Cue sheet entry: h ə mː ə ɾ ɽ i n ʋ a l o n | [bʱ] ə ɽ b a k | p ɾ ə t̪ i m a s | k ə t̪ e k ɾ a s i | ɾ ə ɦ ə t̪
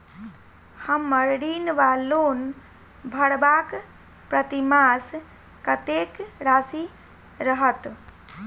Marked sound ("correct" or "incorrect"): correct